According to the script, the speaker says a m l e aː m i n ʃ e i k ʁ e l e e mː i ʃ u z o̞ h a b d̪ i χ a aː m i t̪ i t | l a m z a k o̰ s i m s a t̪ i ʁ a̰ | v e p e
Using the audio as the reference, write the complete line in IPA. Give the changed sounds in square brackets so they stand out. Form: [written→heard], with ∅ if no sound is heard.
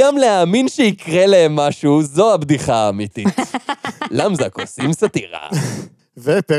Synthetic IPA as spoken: a m l e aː m i n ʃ e i k ʁ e l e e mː [i→a] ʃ u z o̞ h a b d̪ i χ a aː m i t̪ i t | l a m z a k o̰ s i m s a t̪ i ʁ a̰ | v e p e